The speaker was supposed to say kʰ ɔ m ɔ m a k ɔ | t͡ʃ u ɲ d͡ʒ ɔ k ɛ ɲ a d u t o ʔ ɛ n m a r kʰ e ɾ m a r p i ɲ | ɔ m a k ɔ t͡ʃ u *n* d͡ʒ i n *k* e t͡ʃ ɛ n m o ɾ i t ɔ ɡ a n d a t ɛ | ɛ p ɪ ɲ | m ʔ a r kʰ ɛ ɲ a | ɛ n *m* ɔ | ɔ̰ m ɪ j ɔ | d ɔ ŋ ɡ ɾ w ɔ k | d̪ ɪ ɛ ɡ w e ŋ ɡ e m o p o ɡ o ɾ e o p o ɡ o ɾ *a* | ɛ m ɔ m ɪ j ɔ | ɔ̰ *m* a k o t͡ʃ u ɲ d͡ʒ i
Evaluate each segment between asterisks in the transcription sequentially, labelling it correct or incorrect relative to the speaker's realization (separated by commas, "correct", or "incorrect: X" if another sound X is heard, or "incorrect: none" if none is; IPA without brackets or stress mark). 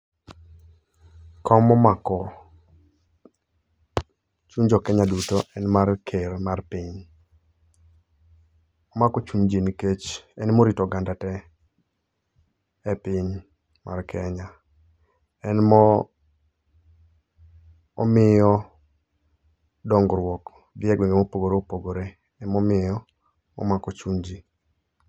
incorrect: ɲ, correct, correct, incorrect: e, correct